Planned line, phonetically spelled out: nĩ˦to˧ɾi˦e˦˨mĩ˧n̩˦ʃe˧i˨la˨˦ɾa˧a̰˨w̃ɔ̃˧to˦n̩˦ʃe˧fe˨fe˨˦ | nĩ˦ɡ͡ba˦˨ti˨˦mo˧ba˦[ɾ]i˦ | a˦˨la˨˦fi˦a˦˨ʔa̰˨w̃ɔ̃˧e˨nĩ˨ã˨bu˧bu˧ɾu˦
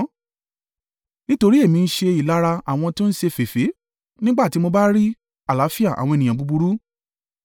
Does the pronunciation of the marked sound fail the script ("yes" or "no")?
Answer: no